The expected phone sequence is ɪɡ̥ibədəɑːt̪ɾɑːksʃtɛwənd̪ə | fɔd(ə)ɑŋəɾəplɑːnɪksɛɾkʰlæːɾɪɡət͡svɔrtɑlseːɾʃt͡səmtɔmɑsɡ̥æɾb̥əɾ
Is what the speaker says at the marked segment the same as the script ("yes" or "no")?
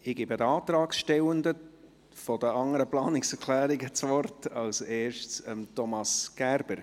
yes